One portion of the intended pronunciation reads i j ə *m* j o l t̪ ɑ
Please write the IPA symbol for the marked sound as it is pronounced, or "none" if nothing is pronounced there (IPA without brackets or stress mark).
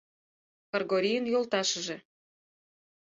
n